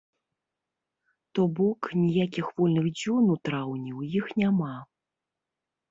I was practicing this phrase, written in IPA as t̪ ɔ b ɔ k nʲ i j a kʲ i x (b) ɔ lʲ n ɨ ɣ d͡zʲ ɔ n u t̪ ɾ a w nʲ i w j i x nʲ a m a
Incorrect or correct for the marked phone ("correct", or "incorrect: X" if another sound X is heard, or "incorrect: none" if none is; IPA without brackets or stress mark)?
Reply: incorrect: v